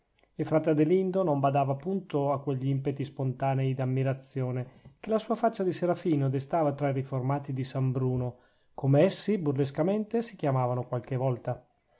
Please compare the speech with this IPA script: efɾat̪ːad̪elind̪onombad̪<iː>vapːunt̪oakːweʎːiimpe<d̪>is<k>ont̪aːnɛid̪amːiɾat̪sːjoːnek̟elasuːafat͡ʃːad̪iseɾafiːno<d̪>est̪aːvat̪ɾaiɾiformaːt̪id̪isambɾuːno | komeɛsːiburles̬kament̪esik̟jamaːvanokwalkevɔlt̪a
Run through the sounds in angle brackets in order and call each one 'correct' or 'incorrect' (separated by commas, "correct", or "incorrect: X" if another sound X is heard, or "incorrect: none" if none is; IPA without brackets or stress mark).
incorrect: aː, incorrect: t̪, incorrect: p, correct